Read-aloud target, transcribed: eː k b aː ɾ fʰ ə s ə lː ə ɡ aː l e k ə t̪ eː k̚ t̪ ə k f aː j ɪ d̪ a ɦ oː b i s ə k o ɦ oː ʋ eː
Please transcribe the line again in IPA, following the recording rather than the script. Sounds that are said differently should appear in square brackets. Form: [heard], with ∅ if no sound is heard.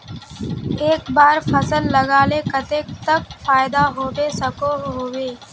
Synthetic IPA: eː k b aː ɾ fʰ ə s ə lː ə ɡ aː l e k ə t̪ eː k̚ t̪ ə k f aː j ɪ d̪ a ɦ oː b [e] s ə k o ɦ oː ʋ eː